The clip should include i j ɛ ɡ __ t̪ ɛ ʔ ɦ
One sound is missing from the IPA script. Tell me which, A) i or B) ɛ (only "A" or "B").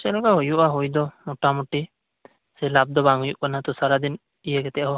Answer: B